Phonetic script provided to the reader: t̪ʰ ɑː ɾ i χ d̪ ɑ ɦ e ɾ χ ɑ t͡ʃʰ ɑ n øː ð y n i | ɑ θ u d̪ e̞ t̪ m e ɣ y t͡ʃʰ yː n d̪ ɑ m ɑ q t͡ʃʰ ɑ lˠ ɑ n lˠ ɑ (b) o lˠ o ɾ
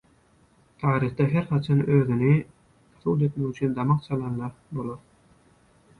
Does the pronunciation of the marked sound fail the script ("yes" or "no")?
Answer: no